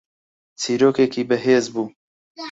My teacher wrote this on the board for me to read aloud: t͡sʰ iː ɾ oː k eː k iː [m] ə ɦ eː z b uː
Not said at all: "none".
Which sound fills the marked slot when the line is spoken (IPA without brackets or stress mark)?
b